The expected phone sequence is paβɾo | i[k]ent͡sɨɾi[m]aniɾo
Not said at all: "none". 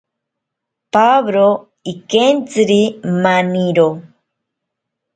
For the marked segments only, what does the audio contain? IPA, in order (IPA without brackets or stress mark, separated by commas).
k, m